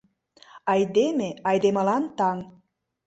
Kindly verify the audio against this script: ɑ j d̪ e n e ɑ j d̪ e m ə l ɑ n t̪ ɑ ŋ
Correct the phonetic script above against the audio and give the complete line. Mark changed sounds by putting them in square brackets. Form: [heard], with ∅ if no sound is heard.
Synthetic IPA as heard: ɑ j d̪ e [m] e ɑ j d̪ e m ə l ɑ n t̪ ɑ ŋ